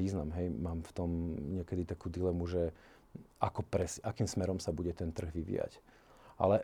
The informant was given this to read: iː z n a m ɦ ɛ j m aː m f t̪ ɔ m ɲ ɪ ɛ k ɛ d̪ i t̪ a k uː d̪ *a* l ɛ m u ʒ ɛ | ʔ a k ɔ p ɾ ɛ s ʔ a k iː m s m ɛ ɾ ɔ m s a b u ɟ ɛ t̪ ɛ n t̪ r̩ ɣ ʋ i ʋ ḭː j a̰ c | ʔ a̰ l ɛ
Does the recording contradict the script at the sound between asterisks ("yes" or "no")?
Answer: yes